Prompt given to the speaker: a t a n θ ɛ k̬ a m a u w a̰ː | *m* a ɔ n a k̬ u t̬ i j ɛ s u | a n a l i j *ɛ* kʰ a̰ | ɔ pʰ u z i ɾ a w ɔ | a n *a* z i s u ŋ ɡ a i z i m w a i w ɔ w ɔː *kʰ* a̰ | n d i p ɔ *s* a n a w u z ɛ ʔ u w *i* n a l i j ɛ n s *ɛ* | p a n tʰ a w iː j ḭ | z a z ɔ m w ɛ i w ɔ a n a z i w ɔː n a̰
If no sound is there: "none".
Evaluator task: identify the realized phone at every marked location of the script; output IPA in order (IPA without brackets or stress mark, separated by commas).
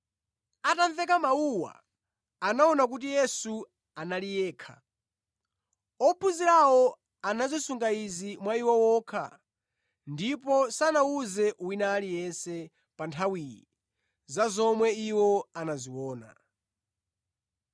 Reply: n, ɛː, a, kʰ, s, i, ɛ